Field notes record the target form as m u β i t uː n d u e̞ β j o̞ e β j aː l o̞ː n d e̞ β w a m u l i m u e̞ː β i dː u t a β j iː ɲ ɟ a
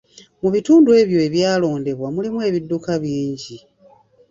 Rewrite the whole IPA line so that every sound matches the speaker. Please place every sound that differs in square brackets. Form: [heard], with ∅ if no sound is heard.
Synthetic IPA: m u β i t uː n d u e̞ β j o̞ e β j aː l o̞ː n d e̞ β w a m u l i m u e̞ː β i dː u [k] a β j iː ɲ ɟ [i]